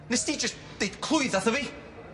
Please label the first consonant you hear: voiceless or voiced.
voiced